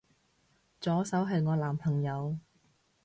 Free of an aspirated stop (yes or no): no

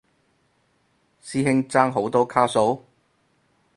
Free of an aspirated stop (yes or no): no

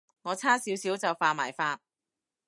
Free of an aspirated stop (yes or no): no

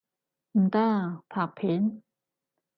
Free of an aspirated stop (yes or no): no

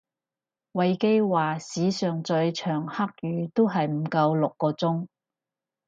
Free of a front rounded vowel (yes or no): no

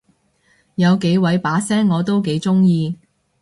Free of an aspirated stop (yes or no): yes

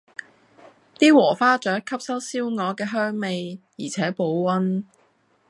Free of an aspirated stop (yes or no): no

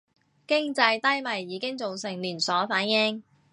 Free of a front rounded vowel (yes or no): yes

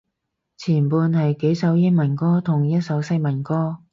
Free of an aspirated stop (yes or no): no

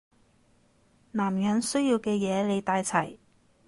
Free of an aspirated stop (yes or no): no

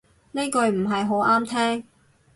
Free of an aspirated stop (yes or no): no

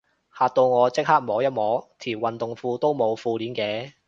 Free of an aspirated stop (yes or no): no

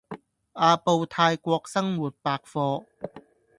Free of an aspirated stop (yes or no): no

